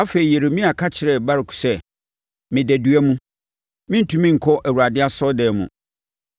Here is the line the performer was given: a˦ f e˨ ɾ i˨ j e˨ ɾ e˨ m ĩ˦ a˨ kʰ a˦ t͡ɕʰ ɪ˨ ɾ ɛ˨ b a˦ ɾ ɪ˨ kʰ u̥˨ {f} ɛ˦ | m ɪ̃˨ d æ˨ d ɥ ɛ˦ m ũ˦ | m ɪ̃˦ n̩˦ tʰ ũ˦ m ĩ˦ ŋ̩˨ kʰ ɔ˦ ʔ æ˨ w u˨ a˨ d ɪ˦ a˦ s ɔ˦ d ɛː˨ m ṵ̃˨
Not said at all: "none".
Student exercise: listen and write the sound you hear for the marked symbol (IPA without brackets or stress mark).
s